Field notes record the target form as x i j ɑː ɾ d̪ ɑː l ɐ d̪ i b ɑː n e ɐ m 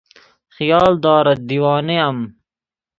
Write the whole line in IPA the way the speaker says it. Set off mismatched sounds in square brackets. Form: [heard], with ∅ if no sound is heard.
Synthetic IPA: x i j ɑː [l] d̪ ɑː [ɾ] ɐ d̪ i [w] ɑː n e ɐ m